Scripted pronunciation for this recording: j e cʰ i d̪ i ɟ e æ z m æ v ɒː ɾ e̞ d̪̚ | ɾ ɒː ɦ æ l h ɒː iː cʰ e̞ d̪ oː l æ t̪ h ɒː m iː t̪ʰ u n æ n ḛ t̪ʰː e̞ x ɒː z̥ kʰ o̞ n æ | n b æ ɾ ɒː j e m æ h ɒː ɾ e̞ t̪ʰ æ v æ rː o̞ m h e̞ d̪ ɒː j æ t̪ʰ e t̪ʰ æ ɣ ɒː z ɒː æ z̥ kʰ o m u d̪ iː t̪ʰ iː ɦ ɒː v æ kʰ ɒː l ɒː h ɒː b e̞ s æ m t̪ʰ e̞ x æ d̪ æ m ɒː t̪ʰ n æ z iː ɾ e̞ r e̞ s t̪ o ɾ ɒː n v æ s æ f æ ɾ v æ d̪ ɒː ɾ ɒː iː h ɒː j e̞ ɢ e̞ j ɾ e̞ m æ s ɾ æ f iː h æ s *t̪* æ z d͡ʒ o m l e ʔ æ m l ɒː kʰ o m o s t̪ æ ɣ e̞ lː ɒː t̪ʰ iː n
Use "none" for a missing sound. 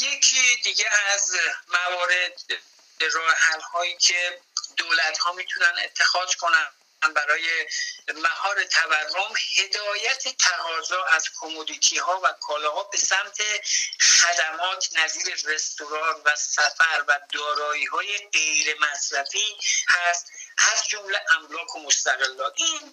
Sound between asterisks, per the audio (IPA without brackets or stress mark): t̪